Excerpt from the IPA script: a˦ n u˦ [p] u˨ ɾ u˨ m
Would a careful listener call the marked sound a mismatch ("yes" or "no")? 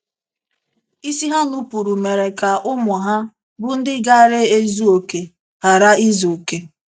no